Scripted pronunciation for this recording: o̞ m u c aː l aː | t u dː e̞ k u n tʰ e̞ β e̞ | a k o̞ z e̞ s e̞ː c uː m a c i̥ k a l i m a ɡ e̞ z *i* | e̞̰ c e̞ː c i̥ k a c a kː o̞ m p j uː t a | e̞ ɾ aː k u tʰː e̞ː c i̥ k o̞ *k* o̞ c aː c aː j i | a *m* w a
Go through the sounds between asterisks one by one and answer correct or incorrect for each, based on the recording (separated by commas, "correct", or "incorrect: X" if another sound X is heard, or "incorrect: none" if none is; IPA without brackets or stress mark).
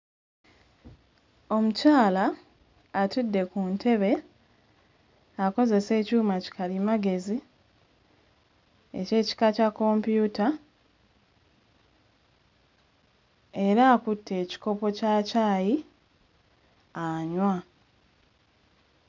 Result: correct, incorrect: p, incorrect: ɲ